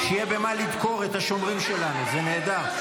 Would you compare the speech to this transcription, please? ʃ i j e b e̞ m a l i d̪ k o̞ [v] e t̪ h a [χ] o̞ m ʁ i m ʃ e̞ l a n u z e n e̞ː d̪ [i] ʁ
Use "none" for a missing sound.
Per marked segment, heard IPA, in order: ʁ, ʃ, a

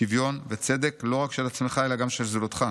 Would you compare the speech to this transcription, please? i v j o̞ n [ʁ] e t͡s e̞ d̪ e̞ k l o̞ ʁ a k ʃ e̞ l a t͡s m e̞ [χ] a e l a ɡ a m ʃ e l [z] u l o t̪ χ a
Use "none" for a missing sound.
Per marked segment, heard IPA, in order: v, χ, z

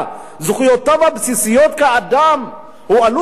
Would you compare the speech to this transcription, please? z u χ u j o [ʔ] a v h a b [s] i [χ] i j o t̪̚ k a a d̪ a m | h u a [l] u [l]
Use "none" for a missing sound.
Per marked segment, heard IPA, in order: t, s, s, l, none

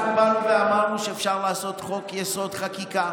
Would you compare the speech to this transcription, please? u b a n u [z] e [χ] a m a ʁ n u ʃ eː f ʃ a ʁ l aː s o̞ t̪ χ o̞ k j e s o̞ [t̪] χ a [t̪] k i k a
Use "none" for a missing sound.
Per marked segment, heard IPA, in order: v, none, d̪, none

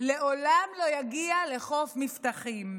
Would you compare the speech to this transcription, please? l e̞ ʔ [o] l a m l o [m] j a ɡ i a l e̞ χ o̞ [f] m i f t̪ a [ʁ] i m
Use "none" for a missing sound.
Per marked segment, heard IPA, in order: o, none, f, χ

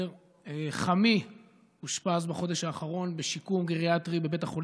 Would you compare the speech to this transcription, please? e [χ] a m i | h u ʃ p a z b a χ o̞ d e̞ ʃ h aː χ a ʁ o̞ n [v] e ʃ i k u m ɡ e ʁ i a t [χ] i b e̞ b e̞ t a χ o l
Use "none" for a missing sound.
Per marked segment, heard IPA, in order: χ, b, ʁ

